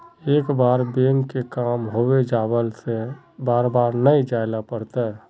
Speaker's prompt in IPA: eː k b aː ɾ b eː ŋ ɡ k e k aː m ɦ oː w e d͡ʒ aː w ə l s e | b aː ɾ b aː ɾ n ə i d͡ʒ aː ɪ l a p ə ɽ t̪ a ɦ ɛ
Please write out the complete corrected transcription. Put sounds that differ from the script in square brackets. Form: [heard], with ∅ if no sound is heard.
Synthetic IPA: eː k b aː ɾ b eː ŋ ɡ k e k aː m ɦ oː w e d͡ʒ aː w ə l s e | b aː ɾ b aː ɾ n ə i d͡ʒ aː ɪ l a p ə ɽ t̪ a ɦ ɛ